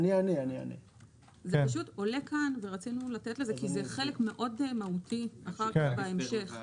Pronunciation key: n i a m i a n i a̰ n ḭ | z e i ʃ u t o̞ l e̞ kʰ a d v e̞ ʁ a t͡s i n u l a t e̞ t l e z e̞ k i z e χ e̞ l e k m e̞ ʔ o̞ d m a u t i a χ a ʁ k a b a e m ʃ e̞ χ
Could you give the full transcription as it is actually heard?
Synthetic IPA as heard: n i a n i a n i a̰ n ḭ | z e a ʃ u t o̞ l e̞ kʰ a n v e̞ ʁ a t͡s i n u l a t e̞ t l e z e̞ k i z e χ e̞ l e k m e̞ ʔ o̞ d m a u t i a χ a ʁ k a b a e m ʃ e̞ χ